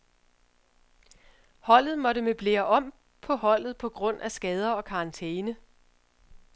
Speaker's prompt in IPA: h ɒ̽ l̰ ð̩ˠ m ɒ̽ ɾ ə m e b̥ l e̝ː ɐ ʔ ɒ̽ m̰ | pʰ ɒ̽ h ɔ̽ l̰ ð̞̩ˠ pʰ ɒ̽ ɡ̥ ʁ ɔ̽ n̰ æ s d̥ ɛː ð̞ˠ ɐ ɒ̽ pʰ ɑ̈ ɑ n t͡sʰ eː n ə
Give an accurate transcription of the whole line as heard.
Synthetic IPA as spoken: h ɒ̽ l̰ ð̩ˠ m ɒ̽ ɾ ə m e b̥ l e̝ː ɐ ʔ ɒ̽ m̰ | pʰ ɒ̽ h ɒ̽ l̰ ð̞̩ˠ pʰ ɒ̽ ɡ̥ ʁ ɔ̽ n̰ æ s ɡ̥ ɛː ð̞ˠ ɐ ɒ̽ kʰ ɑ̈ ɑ n t͡sʰ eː n ə